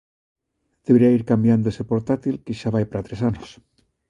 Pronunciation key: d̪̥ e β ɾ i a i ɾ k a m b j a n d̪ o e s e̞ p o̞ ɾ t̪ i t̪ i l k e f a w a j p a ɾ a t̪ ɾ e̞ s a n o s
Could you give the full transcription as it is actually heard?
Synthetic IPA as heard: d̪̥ e β ɾ i a i ɾ k a m b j a n d̪ o e s e̞ p o̞ ɾ t̪ a t̪ i l k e ʃ a β a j p a ɾ a t̪ ɾ e̞ s a n o s

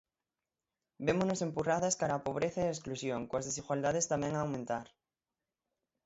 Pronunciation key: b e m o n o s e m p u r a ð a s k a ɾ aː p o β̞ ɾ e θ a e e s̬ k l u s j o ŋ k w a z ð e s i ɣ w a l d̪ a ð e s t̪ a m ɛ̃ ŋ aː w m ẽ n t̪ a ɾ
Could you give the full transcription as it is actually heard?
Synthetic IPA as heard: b e m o n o s e m p u r a ð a s k a ɾ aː p o β̞ ɾ e θ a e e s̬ k l u s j o ŋ k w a z ð e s i ɣ w a l d̪ a ð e s t̪ a m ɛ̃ ŋ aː w m ẽ n t̪ a ɾ

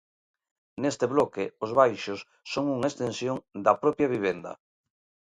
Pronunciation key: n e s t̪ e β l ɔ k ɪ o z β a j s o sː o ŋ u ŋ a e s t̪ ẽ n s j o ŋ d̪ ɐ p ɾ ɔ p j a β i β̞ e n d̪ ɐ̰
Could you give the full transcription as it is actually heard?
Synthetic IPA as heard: n e s t̪ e β l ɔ k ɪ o z β a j ʃ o sː o ŋ u ŋ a e s t̪ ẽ n s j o ŋ d̪ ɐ p ɾ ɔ p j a β i β̞ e n d̪ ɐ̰

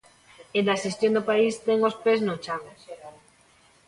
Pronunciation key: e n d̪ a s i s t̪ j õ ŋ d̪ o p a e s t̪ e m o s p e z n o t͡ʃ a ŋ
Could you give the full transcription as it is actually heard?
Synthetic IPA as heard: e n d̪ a s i s t̪ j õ n d̪ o p a i s t̪ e ŋ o s p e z n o t͡ʃ a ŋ

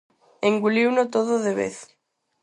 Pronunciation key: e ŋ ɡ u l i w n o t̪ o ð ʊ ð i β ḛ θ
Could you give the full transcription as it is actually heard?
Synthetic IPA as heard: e ŋ ɡ u l i w n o t̪ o ð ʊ ð e β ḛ θ

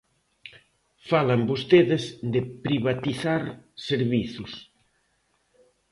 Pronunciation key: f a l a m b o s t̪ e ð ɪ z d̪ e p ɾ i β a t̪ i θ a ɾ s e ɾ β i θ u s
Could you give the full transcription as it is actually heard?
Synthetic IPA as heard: f a l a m b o s t̪ e ð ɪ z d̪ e p ɾ i β a t̪ i θ a ɾ s e ɾ β i θ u s

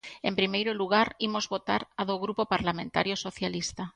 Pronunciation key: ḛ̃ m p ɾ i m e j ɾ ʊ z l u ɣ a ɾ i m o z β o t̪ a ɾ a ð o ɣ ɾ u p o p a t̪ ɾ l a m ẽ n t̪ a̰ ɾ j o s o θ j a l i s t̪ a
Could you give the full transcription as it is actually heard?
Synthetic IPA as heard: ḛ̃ m p ɾ i m e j ɾ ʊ l u ɣ a ɾ i m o z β o t̪ a ɾ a ð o ɣ ɾ u p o p a ɾ l a m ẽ n t̪ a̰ ɾ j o s o θ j a l i s t̪ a

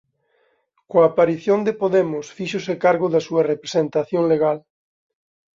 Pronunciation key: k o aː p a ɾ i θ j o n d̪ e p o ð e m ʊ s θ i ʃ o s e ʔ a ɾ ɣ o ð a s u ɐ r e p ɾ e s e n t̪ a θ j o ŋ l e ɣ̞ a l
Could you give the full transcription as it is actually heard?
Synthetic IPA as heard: k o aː p a ɾ i θ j o n d̪ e p o ð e m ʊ s f i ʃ o s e k a ɾ ɣ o ð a s u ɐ r e p ɾ e s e n t̪ a θ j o ŋ l e ɣ̞ a l

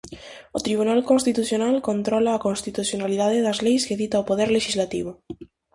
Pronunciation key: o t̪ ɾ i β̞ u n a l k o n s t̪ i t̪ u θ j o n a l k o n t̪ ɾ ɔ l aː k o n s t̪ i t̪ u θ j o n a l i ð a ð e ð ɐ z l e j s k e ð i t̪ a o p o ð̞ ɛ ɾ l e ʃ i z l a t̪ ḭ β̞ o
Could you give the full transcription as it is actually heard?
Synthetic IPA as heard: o t̪ ɾ i β̞ u n a l k o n s t̪ i t̪ u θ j o n a l k o n t̪ ɾ ɔ l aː k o n s t̪ i t̪ u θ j o n a l i ð a ð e ð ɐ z l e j s k e ð i t̪ a o p o ð̞ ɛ ɾ l e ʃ i z l a t̪ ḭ β̞ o

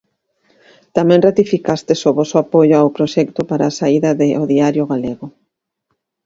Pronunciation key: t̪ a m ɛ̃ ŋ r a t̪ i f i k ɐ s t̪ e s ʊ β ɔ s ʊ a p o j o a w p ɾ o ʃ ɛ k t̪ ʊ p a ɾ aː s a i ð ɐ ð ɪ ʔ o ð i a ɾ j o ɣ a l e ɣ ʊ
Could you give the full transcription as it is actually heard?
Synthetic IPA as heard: t̪ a m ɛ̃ ŋ r a t̪ i f i k a s t̪ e s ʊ β ɔ s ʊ a p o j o a w p ɾ o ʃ ɛ k t̪ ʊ p a ɾ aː s a i ð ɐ ð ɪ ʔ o ð i a ɾ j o ɣ a l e ɣ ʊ

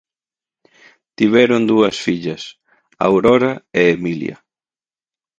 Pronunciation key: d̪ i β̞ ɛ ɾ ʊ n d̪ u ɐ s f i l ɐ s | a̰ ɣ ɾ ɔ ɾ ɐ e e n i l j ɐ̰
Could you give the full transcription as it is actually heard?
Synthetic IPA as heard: t̪ i β̞ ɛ ɾ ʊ n d̪ u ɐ s f i ʎ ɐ s | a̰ w ɾ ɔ ɾ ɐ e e m i l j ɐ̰

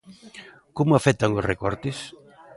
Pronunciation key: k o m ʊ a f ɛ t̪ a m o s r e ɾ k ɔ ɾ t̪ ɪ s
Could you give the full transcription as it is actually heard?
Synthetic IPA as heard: k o m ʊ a f ɛ t̪ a ŋ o s r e k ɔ ɾ t̪ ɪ s

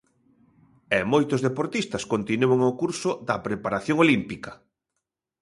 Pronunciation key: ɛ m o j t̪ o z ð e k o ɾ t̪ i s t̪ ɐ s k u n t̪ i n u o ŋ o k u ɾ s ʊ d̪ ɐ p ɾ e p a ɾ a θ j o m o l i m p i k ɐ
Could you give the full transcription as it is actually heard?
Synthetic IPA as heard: ɛ m o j t̪ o z ð e p o ɾ t̪ i s t̪ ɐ s k o n t̪ i n u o ŋ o k u ɾ s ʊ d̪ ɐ p ɾ e p a ɾ a θ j o ŋ o l i m p i k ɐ

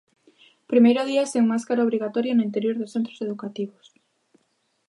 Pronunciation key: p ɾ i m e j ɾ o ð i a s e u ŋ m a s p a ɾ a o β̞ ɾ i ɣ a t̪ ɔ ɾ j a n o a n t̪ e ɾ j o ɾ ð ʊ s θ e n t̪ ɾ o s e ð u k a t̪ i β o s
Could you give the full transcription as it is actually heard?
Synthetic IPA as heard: p ɾ i m e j ɾ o ð i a s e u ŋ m a s k a ɾ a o β̞ ɾ i ɣ a t̪ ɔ ɾ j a n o i n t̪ e ɾ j o ɾ ð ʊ s θ e n t̪ ɾ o s e ð u k a t̪ i β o s

